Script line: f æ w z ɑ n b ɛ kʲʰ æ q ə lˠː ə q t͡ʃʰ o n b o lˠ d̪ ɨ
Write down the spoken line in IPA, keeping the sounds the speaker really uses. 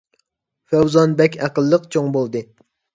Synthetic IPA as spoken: f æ w z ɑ n b ɛ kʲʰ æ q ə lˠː ə q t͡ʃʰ o ŋ b o lˠ d̪ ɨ